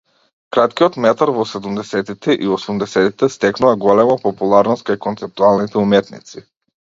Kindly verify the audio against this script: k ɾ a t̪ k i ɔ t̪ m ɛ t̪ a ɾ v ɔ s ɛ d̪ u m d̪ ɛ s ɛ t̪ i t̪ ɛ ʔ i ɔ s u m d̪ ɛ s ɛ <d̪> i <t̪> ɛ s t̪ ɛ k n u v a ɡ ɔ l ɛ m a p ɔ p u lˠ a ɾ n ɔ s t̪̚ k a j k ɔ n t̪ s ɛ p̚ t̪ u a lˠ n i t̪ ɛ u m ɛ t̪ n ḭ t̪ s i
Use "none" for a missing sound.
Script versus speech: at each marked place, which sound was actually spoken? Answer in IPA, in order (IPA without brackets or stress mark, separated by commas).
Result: t̪, t̪